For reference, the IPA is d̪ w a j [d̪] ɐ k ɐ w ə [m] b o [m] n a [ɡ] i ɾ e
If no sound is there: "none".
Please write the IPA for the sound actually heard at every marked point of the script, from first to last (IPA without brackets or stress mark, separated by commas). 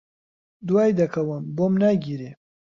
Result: d̪, m, m, ɡ